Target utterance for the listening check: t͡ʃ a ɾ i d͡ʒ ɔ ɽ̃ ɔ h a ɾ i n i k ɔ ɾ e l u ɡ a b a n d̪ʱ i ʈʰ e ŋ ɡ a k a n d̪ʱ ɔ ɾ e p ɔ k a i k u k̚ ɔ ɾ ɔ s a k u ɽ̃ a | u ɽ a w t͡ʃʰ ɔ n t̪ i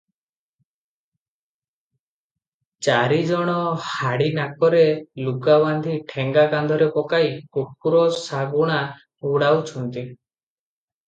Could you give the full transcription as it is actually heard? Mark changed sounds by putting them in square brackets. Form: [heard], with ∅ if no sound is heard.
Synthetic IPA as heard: t͡ʃ a ɾ i d͡ʒ ɔ ɽ̃ ɔ h a [ɽ] i n [a] k ɔ ɾ e l u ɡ a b a n d̪ʱ i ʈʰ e ŋ ɡ a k a n d̪ʱ ɔ ɾ e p ɔ k a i k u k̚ [u] ɾ ɔ s a [ɡ] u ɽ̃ a | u ɽ a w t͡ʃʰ ɔ n t̪ i